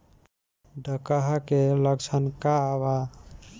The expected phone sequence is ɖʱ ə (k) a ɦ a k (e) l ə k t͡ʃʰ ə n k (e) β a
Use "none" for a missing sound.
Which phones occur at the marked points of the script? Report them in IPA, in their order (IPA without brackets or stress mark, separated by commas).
k, e, a